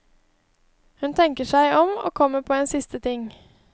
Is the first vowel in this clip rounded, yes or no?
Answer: yes